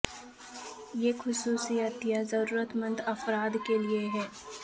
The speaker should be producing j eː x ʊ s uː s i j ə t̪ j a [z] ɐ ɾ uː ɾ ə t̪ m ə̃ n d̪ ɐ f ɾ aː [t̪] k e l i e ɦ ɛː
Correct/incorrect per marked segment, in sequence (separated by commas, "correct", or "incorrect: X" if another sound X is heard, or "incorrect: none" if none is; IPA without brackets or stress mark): correct, incorrect: d̪